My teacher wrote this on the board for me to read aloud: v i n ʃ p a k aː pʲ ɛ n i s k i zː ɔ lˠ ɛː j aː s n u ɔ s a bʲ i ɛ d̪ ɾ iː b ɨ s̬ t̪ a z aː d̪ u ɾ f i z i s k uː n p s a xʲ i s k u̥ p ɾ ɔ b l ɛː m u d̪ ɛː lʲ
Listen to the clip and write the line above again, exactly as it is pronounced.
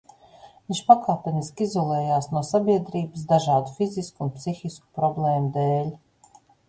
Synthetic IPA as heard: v i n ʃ p a k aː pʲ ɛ n i s k i z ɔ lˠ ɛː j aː s n u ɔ s a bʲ i ɛ d̪ ɾ iː b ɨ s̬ d̪ a ʒ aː d̪ u f i z i s k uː n p s i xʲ i s k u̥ p ɾ ɔ b l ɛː m u d̪ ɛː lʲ